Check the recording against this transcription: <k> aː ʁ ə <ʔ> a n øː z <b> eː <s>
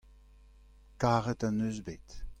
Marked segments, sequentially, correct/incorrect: correct, incorrect, correct, incorrect

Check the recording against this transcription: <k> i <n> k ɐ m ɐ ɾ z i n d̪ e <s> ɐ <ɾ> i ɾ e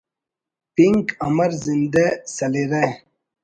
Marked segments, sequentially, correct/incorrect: incorrect, incorrect, correct, incorrect

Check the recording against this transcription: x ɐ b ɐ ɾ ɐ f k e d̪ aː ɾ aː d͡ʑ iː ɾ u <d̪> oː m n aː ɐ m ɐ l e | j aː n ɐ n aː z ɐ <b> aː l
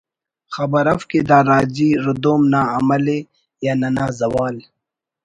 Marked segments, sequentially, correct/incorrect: correct, incorrect

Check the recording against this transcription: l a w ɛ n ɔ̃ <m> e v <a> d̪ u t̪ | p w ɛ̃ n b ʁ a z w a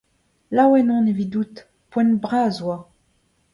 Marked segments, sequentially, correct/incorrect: incorrect, incorrect

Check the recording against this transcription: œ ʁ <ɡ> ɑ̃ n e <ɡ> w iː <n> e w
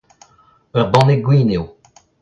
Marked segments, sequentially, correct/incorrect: incorrect, correct, correct

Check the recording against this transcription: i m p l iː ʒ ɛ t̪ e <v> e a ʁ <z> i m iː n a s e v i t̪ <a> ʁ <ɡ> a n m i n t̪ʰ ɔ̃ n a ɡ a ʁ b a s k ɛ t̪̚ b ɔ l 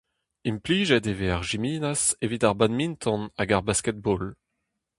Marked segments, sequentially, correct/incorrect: correct, incorrect, correct, incorrect

